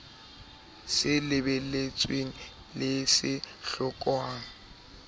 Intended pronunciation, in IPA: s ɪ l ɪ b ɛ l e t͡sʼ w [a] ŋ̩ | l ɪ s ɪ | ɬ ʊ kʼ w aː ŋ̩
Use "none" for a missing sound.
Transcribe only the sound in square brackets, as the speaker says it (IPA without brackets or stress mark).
e